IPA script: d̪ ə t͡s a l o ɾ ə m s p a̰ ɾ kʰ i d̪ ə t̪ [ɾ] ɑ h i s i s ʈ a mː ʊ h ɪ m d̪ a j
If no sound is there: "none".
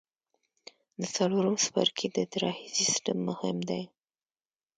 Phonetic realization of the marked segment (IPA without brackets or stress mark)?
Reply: ɾ